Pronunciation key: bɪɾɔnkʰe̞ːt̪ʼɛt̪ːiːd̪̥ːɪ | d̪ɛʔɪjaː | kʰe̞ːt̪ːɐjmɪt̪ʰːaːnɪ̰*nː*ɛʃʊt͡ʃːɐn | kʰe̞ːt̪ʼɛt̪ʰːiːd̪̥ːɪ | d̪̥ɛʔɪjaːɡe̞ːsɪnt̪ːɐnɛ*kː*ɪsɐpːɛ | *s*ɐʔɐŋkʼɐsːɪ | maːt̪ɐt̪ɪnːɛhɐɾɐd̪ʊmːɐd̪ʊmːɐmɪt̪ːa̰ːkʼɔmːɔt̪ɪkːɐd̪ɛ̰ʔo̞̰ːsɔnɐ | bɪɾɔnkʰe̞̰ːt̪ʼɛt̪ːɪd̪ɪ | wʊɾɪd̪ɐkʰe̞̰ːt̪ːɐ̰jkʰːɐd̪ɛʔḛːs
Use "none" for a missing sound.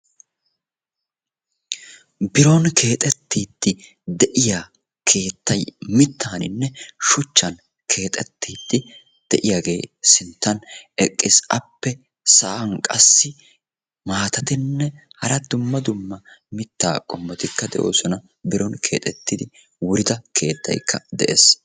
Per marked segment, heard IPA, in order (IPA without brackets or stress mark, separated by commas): nː, kʼː, s